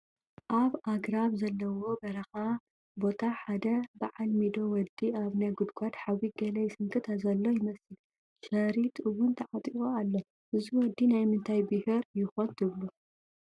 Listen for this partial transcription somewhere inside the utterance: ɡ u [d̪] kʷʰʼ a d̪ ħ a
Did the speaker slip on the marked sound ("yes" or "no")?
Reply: no